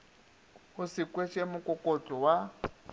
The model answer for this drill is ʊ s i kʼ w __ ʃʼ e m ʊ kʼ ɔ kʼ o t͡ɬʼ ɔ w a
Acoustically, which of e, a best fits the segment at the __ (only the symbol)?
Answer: e